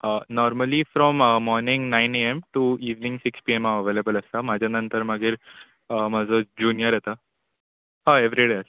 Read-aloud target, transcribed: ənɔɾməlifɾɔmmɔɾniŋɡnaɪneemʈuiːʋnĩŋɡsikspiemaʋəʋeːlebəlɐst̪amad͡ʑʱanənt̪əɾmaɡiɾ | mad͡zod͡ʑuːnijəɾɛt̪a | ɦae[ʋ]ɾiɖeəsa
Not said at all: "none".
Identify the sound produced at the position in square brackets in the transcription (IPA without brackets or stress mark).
ʋ